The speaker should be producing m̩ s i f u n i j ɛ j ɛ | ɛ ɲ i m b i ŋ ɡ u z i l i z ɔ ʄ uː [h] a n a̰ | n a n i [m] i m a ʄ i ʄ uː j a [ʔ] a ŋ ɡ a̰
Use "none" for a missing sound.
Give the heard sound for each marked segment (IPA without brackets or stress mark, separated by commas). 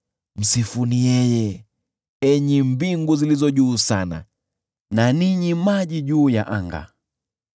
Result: s, ɲ, ʔ